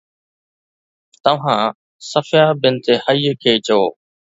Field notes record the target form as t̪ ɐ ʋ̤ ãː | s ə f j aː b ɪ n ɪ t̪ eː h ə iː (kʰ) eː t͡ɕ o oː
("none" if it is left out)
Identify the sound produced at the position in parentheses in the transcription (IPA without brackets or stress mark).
kʰ